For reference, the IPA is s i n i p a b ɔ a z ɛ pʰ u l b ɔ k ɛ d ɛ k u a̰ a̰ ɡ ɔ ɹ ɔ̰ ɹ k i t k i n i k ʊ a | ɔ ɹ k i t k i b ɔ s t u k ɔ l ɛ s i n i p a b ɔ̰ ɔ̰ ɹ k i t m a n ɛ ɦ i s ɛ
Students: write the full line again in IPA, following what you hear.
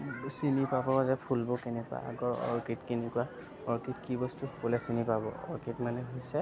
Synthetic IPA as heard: s i n i p a b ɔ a z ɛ pʰ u l b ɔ k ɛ n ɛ k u a̰ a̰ ɡ ɔ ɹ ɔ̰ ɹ k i t k i n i k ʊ a | ɔ ɹ k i t k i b ɔ s t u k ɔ l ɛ s i n i p a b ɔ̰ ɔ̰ ɹ k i t m a n ɛ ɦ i s ɛ